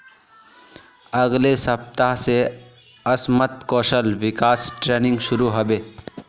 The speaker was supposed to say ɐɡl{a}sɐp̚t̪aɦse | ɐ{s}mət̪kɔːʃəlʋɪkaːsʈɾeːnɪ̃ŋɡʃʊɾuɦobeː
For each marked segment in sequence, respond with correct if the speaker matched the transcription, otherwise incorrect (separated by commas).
incorrect, correct